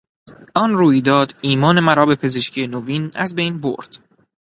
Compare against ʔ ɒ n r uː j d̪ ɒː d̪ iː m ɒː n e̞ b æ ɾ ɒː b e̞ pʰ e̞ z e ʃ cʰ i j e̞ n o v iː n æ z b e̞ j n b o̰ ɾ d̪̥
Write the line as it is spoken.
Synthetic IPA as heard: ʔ ɒ n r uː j d̪ ɒː d̪ iː m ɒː n e̞ m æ ɾ ɒː b e̞ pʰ e̞ z e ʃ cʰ i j e̞ n o v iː n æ z b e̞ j n b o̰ ɾ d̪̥